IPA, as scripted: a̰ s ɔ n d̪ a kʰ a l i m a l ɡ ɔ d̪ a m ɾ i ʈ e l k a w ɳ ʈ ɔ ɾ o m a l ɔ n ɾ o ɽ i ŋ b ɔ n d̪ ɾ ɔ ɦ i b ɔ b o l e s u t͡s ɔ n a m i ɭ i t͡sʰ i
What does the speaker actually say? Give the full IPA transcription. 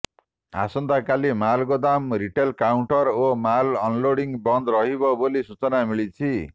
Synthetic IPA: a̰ s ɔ n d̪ a k a l i m a l ɡ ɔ d̪ a m ɾ i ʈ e l k a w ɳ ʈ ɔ ɾ o m a l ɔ n l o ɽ i ŋ b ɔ n d̪ ɾ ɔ ɦ i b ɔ b o l i s u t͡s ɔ n a m i ɭ i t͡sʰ i